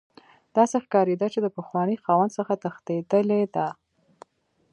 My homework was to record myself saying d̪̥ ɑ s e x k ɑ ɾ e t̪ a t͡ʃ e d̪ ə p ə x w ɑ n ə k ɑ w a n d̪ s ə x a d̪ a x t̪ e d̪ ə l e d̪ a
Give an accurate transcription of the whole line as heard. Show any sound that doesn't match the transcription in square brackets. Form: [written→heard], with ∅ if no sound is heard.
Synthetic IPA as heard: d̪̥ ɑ s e x k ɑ ɾ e [t̪→d̪] a t͡ʃ e d̪ ə p ə x w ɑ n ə [k→x] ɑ w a n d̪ s ə x a [d̪→t̪] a x t̪ e d̪ ə l e d̪ a